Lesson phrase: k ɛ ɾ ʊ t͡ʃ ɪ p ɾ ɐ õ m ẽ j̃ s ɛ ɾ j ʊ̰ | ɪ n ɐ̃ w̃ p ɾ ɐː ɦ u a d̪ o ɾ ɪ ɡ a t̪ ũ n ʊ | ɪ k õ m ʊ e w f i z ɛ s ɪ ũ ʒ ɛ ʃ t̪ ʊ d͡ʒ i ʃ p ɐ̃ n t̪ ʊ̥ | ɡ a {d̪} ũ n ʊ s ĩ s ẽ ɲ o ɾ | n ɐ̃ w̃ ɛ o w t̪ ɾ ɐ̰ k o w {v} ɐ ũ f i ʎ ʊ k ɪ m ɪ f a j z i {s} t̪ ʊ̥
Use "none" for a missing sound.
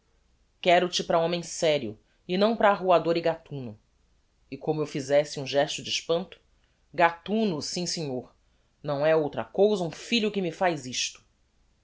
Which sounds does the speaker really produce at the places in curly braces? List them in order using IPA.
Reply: t̪, z, ʃ

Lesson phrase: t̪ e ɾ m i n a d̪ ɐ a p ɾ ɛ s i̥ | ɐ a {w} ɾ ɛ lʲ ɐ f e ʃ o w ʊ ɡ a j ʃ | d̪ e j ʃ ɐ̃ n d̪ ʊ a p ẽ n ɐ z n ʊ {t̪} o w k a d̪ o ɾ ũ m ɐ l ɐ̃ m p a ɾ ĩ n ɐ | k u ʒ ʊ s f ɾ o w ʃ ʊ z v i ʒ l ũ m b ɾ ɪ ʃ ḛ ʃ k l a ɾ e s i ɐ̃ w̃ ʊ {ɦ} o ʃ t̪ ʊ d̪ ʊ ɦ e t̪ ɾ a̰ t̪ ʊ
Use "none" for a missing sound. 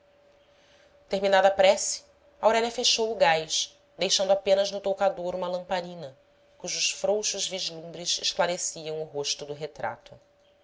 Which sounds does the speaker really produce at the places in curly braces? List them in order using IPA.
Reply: w, t̪, ɦ

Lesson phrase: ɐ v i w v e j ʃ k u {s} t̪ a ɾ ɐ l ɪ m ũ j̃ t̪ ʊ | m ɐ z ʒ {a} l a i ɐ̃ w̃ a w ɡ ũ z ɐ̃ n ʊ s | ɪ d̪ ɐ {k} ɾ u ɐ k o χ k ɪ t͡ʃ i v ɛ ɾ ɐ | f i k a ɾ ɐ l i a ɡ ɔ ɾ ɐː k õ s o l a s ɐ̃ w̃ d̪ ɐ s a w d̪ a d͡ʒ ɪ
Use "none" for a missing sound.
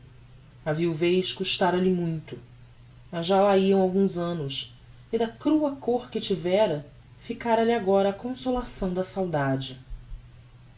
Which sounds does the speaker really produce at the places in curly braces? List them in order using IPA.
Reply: ʃ, a, k

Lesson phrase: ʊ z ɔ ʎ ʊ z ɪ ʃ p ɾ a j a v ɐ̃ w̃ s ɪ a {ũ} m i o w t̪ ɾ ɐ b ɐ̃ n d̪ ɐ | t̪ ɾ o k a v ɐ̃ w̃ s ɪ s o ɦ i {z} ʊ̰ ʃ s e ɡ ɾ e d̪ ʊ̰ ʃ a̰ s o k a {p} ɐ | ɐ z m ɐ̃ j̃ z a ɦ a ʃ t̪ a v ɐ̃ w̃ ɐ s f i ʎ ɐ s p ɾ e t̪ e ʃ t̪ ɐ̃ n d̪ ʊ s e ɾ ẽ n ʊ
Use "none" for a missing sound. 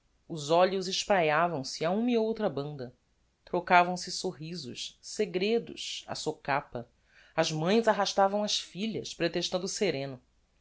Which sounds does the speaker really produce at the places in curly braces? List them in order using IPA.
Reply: ũ, z, p

